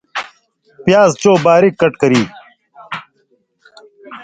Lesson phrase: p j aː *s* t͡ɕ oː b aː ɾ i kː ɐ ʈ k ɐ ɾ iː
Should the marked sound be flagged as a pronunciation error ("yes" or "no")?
yes